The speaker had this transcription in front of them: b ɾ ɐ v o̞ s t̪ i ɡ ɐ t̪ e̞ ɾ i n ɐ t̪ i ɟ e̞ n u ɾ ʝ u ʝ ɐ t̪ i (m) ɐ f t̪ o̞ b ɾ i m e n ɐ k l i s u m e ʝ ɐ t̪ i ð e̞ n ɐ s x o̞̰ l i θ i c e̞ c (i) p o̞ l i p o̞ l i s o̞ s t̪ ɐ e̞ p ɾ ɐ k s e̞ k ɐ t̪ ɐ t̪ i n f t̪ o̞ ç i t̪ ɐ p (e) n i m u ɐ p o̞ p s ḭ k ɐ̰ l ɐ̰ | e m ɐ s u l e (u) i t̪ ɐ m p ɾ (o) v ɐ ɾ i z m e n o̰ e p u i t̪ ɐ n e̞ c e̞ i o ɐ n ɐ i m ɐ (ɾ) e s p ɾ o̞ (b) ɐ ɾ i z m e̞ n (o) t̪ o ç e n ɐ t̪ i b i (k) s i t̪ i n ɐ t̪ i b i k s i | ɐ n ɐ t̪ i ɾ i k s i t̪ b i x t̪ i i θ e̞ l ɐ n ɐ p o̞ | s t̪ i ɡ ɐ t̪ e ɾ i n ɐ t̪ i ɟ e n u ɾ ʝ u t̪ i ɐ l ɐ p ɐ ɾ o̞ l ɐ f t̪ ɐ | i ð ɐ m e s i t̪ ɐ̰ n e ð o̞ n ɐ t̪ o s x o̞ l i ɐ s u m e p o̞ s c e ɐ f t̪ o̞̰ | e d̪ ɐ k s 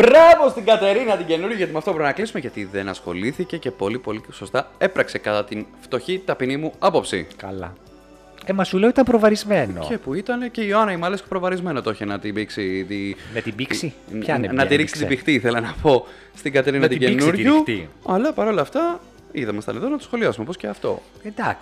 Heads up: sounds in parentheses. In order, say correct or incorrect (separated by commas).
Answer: correct, incorrect, incorrect, incorrect, correct, incorrect, incorrect, correct, correct